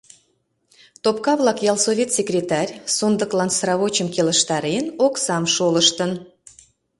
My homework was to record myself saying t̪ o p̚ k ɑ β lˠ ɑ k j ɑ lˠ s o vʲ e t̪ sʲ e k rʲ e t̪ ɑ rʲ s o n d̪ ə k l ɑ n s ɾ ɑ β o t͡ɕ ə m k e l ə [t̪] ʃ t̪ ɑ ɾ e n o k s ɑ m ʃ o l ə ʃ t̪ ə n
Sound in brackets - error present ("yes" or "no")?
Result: yes